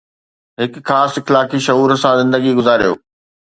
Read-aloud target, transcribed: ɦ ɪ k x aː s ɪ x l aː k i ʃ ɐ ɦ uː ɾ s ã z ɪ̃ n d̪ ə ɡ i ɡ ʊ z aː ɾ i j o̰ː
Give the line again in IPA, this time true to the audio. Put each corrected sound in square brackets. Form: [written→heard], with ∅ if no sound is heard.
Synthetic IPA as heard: ɦ ɪ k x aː s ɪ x l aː k i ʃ ɐ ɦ uː ɾ s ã z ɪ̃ n d̪ ə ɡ i ɡ ʊ z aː ɾ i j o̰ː